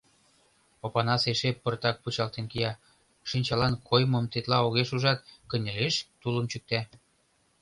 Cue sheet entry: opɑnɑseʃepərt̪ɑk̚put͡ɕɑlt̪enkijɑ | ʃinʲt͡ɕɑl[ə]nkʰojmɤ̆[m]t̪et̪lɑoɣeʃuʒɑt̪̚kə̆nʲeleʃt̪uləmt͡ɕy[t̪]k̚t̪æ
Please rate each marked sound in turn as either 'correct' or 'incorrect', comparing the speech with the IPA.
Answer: incorrect: ɑ, correct, incorrect: none

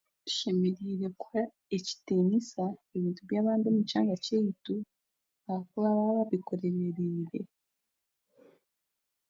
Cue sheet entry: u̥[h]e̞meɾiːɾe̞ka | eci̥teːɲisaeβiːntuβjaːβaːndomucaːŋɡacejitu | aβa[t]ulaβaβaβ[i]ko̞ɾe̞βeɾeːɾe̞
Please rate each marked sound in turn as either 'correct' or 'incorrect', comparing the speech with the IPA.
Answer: incorrect: ʃ, incorrect: k, correct

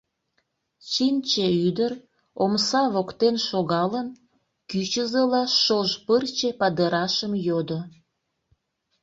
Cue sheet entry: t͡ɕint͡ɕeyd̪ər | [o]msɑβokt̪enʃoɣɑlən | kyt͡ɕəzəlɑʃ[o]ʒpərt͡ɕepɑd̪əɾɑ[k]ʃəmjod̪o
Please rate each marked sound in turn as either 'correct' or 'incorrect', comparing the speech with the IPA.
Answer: correct, correct, incorrect: none

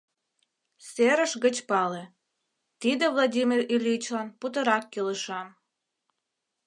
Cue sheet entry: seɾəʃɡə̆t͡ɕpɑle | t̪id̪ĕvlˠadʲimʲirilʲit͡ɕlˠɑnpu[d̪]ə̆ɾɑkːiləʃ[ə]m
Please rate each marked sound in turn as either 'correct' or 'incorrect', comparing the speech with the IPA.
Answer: incorrect: t̪, incorrect: ɑ

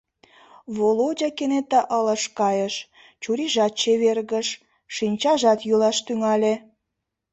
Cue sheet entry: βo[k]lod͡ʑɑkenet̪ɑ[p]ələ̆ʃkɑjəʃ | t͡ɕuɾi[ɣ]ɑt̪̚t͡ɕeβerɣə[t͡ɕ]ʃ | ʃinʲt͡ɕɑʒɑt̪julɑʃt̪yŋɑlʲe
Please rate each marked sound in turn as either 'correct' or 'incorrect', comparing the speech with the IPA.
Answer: incorrect: none, incorrect: ʔ, incorrect: ʒ, incorrect: none

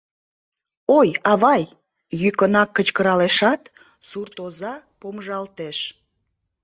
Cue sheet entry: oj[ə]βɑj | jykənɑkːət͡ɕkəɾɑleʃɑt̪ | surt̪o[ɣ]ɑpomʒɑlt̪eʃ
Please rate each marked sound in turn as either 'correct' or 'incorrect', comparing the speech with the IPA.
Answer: incorrect: ɑ, incorrect: z

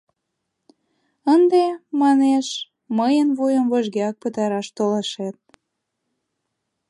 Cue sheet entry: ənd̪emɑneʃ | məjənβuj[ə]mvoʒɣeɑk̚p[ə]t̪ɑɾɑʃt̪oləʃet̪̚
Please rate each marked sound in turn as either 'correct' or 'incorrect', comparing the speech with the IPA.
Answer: correct, correct

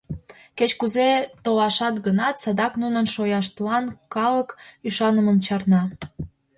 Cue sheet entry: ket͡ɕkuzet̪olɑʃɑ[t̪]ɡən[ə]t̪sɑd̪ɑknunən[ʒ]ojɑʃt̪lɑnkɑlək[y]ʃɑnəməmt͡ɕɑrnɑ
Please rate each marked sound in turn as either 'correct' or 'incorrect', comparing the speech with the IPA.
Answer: correct, incorrect: ɑ, incorrect: ʃ, correct

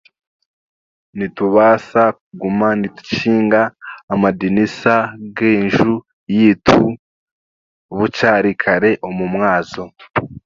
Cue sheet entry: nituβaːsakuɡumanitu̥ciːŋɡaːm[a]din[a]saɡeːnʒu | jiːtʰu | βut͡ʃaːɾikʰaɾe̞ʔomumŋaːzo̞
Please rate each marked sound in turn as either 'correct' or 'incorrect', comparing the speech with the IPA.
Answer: correct, incorrect: i

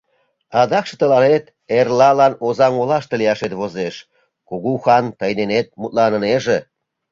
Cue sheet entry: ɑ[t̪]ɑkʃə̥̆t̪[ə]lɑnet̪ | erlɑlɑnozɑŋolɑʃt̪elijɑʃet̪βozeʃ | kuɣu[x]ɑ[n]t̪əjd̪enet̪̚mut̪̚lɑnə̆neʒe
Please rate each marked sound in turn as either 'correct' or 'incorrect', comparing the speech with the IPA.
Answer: incorrect: d̪, correct, correct, correct

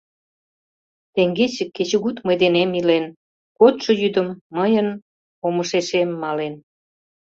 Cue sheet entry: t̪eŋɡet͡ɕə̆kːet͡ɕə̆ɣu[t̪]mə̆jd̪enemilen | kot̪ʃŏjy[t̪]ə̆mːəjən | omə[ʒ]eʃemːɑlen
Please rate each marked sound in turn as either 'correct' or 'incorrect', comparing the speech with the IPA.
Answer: correct, incorrect: d̪, incorrect: ʃ

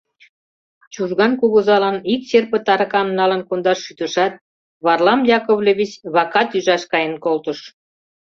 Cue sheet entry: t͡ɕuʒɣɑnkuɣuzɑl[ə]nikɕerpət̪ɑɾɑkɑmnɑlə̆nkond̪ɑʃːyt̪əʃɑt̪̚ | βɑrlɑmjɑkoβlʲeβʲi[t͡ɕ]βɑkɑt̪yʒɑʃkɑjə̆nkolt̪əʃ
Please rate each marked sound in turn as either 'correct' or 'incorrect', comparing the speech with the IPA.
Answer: incorrect: ɑ, correct

